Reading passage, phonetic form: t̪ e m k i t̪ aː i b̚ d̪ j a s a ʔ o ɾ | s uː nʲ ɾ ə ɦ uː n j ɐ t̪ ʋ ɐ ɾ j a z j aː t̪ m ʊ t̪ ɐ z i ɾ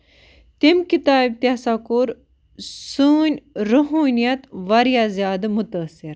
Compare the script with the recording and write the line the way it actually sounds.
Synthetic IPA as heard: t̪ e m k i t̪ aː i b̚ t̪ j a s a k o ɾ | s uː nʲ ɾ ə ɦ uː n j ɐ t̪ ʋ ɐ ɾ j a z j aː d̪ m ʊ t̪ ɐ s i ɾ